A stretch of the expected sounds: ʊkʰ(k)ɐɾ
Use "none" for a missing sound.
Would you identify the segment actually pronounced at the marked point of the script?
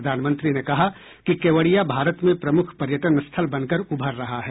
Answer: p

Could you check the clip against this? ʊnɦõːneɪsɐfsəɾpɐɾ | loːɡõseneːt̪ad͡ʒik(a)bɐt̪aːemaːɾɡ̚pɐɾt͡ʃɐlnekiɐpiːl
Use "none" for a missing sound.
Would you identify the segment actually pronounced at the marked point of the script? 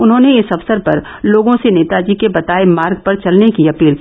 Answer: e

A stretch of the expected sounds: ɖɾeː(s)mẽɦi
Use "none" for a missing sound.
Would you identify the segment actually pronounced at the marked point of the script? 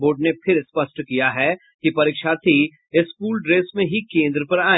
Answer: s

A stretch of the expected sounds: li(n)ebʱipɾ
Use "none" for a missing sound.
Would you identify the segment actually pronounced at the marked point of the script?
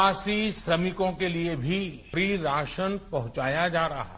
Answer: none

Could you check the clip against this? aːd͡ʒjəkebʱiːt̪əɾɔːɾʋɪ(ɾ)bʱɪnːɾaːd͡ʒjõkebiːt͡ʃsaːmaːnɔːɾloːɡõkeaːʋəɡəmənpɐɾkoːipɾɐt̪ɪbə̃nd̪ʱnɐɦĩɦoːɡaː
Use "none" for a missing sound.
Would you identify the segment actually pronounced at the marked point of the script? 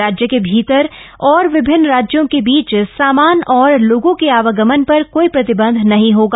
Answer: none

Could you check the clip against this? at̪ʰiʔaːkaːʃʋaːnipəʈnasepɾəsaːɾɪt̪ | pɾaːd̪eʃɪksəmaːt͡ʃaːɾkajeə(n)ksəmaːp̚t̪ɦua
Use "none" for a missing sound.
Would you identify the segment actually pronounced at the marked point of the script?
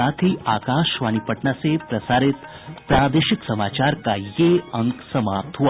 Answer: ŋ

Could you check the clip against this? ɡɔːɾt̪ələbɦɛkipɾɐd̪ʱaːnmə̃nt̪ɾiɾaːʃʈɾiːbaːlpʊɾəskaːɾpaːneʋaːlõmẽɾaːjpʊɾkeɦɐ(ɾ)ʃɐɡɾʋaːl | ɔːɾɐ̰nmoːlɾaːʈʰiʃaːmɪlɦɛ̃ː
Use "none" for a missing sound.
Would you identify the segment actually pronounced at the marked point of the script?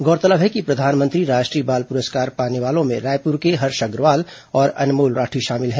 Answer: ɾ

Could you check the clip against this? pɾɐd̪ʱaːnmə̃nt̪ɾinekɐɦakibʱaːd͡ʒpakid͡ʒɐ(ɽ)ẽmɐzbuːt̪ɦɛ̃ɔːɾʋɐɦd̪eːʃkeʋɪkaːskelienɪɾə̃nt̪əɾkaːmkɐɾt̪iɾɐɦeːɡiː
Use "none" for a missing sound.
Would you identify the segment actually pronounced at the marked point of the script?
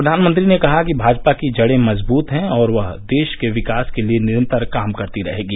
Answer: ɽ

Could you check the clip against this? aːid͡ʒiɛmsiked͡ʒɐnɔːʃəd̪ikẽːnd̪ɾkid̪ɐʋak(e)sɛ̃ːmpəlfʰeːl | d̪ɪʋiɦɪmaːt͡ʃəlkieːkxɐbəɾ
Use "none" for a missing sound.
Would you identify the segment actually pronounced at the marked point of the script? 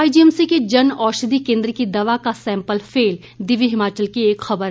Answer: a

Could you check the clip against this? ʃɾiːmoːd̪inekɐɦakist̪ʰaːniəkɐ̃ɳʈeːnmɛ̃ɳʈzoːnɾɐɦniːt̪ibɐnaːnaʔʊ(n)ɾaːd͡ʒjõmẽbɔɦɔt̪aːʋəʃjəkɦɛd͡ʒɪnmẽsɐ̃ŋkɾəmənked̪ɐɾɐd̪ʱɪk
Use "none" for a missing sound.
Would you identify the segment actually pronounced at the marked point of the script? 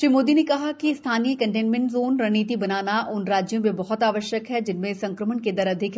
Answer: n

